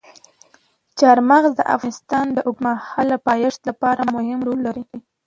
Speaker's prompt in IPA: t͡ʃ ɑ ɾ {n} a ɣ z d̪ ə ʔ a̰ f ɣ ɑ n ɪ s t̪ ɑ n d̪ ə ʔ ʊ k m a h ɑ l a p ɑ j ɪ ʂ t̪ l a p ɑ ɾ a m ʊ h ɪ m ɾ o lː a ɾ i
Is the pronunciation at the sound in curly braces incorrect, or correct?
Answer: incorrect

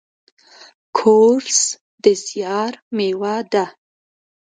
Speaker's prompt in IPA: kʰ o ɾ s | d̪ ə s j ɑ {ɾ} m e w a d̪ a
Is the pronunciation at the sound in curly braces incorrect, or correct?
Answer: correct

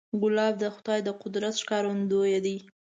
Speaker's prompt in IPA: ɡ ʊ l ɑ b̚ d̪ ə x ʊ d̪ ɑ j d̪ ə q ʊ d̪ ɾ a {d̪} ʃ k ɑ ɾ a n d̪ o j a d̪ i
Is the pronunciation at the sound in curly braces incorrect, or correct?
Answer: incorrect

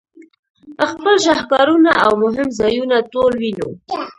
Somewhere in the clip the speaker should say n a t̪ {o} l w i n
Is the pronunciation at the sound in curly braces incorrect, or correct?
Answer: correct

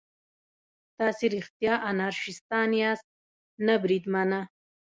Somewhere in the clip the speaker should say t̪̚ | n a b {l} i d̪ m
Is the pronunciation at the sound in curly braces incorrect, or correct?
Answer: incorrect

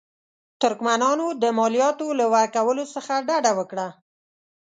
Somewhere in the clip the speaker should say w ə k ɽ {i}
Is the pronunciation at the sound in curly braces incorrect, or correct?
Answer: incorrect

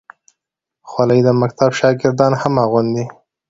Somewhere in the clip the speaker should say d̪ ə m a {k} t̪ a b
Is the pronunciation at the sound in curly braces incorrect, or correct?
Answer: correct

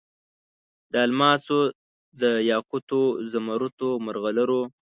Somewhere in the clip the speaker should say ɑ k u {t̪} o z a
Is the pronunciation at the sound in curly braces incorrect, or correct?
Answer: correct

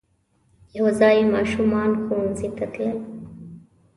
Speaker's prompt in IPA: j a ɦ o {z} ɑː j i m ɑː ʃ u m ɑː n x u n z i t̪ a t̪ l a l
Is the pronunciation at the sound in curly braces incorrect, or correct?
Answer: correct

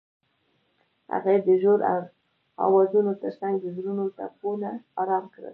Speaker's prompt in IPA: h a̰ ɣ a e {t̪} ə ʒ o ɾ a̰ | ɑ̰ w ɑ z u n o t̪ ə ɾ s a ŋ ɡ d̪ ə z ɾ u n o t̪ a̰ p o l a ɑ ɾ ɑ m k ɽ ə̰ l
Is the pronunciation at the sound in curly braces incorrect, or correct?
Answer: incorrect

